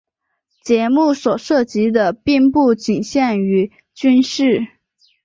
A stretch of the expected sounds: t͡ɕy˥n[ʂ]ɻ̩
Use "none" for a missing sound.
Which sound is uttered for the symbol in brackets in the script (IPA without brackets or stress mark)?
ʂ